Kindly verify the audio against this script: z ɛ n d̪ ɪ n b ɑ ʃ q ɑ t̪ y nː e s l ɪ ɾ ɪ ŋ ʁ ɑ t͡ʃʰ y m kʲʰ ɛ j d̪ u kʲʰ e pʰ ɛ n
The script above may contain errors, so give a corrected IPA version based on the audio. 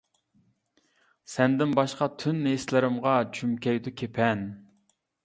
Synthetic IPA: s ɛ n d̪ ɪ n b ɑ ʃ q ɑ t̪ʰ y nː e s l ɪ ɾ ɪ m ʁ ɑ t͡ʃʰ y m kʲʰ ɛ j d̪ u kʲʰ e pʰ ɛ n